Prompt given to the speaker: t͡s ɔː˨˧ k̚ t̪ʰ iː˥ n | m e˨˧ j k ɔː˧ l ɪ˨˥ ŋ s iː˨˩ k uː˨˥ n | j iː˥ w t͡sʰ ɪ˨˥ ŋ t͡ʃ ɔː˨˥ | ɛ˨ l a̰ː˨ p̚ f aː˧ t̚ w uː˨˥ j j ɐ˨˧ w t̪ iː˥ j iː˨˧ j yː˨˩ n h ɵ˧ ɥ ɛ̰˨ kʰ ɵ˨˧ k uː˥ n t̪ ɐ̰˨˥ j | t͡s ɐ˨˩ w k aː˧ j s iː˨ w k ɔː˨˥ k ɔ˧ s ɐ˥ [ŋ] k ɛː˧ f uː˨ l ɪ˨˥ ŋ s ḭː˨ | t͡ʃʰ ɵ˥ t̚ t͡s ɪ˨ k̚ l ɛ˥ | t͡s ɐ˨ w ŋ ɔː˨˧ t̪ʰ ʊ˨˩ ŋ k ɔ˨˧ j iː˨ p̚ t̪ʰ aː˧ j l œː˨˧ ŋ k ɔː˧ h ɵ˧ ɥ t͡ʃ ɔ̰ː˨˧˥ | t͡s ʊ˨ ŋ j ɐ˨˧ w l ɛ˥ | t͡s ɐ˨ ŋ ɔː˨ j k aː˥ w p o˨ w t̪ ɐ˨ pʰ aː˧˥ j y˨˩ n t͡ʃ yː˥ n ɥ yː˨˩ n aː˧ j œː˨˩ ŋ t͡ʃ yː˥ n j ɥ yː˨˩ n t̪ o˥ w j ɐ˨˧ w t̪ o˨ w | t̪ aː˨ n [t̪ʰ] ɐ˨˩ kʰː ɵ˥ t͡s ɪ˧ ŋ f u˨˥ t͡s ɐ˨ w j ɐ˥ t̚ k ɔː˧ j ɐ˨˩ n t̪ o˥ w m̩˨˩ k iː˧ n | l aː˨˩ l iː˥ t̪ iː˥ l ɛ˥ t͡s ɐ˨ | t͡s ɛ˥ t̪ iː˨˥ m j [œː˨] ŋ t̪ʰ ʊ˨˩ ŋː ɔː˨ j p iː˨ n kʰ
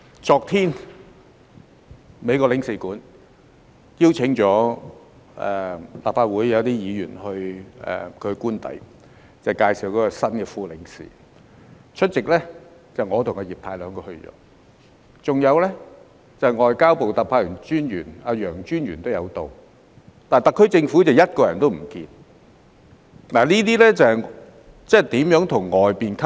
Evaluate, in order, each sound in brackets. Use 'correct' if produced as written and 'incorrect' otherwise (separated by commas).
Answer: incorrect, incorrect, incorrect